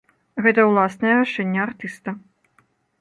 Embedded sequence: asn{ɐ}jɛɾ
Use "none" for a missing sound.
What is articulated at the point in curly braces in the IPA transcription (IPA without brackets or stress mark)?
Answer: ɐ